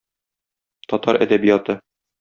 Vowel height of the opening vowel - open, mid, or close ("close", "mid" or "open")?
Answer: open